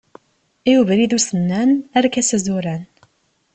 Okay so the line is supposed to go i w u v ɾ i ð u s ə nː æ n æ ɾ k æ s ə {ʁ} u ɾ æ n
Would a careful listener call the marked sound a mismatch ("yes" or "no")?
yes